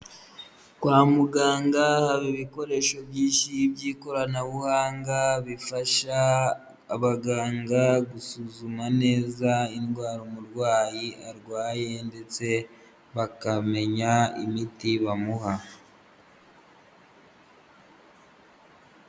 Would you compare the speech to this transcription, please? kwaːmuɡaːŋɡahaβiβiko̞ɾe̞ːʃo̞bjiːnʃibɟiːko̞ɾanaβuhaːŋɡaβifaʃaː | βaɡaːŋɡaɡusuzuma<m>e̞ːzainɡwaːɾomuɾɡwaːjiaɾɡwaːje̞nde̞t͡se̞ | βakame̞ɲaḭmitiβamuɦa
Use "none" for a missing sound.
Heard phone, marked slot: n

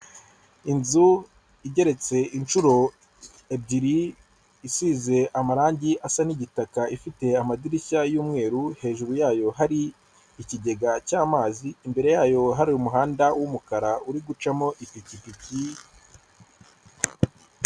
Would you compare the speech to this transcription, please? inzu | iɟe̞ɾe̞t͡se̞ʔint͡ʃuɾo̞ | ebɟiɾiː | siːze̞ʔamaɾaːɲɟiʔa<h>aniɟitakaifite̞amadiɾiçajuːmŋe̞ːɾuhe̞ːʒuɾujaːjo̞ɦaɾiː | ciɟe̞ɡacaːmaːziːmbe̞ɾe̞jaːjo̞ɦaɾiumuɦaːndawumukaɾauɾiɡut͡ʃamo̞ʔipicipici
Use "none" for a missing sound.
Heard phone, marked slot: s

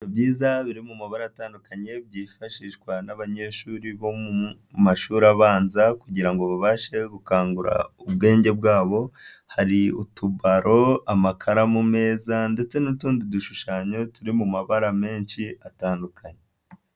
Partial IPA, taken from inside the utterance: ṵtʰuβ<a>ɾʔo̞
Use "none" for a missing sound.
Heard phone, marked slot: a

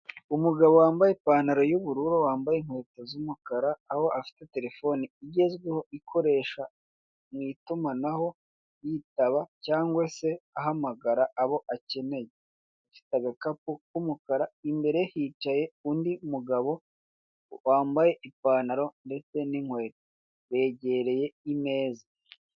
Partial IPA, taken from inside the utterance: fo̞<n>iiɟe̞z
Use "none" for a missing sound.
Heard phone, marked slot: n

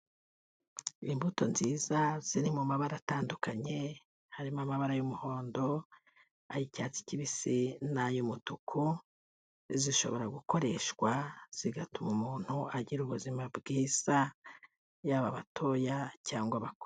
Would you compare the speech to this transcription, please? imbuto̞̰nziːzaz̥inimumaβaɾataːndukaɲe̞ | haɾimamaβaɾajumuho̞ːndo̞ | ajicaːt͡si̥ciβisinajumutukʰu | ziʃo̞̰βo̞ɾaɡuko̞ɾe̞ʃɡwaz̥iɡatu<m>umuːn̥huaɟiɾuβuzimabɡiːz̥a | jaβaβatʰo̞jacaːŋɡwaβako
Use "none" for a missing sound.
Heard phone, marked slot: m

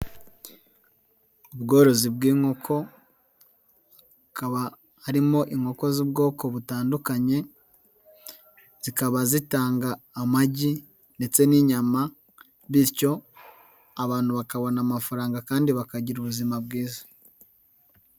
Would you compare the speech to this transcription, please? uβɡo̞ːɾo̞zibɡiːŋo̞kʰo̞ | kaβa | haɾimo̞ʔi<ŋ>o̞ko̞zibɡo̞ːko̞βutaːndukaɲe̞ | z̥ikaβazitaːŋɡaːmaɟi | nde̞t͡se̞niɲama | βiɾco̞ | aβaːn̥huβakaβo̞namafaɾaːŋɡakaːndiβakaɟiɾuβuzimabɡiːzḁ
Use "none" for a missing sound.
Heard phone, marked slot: ŋ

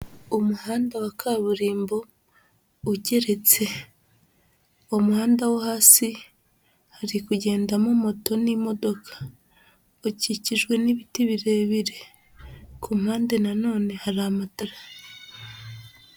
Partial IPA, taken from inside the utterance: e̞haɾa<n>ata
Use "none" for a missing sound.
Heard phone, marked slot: m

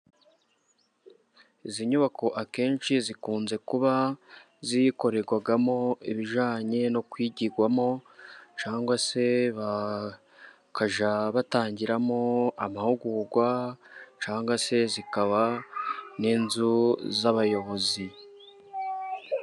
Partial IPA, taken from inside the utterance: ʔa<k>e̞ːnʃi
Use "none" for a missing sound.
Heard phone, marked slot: k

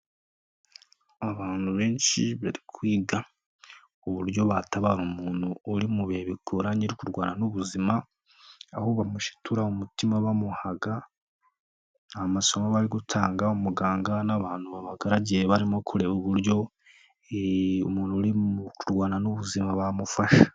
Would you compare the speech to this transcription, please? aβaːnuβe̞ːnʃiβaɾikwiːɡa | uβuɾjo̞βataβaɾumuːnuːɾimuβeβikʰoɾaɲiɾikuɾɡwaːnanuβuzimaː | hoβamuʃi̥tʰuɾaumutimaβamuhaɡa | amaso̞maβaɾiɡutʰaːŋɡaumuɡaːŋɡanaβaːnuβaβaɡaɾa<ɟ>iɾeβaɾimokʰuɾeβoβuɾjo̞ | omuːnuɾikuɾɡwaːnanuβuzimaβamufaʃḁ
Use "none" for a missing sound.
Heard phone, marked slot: ɟ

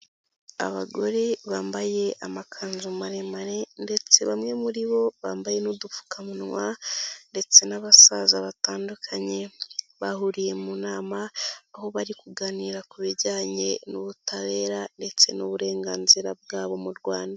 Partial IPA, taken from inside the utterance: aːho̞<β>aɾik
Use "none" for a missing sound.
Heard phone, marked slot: β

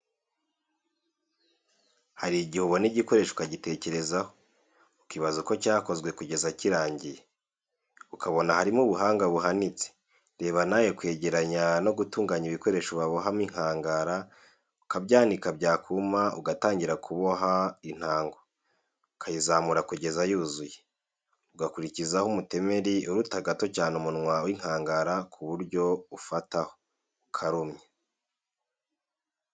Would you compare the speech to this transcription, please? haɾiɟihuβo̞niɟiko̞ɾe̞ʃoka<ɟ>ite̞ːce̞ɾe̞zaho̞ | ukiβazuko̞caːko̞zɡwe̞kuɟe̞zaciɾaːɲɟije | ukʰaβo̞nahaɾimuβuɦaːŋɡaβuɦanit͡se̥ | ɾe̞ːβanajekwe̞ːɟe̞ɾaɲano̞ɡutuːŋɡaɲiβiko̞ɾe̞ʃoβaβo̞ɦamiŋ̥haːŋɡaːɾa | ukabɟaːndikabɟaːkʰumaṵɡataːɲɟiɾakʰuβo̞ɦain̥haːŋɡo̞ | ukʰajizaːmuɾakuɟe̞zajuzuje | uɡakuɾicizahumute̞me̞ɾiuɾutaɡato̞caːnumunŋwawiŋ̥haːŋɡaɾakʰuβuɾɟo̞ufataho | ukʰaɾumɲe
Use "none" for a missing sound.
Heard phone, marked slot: ɟ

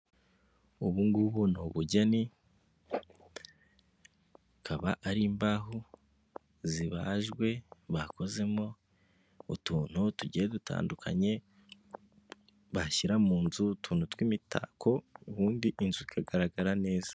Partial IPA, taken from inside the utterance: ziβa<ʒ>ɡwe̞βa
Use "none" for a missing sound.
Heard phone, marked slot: ʒ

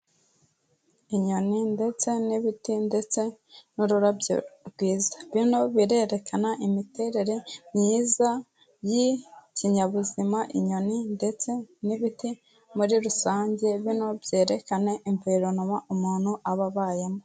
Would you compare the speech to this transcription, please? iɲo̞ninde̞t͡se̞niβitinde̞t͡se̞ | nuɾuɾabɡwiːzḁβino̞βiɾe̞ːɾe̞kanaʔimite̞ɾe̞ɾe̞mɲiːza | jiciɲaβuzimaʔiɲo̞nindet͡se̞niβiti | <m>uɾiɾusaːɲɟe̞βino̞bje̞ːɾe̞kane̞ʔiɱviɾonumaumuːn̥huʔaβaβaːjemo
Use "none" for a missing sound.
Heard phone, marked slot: m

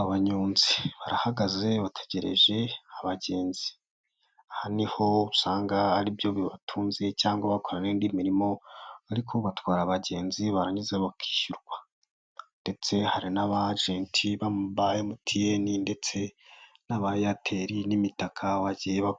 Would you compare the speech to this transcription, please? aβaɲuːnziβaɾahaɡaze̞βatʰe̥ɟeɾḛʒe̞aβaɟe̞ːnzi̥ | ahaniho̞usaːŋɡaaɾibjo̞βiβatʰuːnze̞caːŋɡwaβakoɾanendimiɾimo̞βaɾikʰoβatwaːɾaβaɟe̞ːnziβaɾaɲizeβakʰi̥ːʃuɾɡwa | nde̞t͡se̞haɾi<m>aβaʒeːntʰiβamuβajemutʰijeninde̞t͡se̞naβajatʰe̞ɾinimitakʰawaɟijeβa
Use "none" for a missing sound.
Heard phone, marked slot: n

